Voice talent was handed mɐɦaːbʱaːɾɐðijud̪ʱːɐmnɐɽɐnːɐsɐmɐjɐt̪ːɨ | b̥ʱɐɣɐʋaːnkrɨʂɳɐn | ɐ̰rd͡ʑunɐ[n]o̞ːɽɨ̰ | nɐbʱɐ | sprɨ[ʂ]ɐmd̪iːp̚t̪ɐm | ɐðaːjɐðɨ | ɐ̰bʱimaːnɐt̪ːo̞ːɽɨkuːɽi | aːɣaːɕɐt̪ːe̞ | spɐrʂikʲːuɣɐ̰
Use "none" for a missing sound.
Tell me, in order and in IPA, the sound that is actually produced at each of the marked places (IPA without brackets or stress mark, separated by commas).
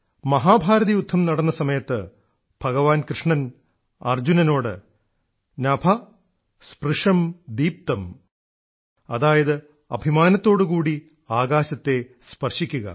n, ʂ